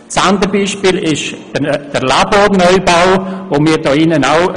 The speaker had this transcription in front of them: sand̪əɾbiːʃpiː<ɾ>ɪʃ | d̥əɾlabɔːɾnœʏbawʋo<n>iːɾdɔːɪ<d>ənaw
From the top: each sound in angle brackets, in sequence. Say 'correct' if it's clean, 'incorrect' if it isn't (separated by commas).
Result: incorrect, incorrect, incorrect